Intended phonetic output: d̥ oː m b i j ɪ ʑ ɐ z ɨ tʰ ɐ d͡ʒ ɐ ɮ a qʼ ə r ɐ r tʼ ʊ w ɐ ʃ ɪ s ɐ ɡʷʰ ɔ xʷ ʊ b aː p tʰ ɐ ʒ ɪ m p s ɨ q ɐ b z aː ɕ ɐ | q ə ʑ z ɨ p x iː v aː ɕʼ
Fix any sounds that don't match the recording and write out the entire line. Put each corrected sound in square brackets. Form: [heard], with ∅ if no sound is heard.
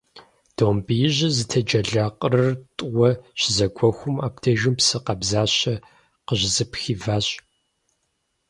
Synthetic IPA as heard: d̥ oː m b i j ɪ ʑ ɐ z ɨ tʰ ɐ d͡ʒ ɐ ɮ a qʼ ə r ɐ r tʼ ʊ w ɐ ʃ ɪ [z] ɐ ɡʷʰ ɔ xʷ ʊ [m] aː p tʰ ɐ ʒ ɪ m p s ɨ q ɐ b z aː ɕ ɐ | q ə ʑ z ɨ p x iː v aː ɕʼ